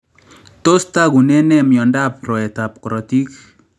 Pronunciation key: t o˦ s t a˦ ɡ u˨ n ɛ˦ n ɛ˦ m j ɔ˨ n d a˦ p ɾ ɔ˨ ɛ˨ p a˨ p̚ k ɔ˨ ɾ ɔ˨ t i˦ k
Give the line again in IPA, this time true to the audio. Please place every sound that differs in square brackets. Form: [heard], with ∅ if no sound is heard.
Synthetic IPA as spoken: t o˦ s t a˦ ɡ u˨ n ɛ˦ n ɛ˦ m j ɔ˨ n d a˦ p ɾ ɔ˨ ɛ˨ [t] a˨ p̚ k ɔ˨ ɾ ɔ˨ t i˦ k